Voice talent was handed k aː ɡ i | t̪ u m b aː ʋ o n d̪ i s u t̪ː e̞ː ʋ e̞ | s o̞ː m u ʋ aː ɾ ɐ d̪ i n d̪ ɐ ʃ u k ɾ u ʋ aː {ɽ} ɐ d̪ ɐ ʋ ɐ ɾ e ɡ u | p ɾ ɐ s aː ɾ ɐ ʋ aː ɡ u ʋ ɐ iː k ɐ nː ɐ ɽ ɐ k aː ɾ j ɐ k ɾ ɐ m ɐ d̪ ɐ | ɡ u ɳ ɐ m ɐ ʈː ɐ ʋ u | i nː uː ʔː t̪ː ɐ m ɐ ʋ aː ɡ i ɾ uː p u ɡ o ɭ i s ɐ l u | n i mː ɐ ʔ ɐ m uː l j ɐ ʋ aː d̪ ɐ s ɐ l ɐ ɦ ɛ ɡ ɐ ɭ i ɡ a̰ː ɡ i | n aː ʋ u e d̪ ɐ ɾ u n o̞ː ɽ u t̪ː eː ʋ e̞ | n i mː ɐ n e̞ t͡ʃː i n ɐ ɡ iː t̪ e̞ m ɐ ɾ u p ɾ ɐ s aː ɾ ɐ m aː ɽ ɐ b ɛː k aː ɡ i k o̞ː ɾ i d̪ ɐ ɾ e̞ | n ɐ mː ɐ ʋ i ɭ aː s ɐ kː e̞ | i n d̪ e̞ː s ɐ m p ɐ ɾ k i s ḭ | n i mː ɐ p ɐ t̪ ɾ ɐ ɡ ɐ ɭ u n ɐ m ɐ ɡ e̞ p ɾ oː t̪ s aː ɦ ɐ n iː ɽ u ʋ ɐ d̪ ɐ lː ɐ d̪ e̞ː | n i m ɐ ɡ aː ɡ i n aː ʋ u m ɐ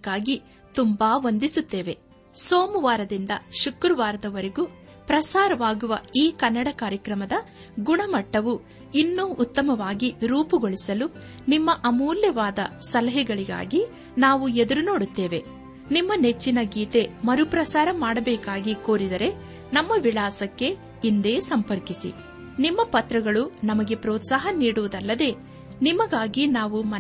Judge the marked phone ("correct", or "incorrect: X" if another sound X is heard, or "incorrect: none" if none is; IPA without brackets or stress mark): incorrect: ɾ